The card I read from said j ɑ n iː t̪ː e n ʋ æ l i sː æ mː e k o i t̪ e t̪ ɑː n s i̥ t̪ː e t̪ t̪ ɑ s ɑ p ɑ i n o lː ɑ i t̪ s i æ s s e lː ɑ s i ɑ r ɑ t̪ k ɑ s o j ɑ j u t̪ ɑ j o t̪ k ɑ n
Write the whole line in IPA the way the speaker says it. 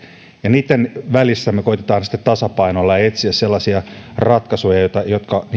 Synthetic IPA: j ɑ n iː t̪ː e n ʋ æ l i sː æ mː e k o i t̪ e t̪ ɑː n s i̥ t̪ː e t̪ t̪ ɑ s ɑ p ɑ i n o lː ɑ e t̪ s i æ s s e lː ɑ s i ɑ r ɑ t̪ k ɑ s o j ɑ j o t̪ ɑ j o t̪ k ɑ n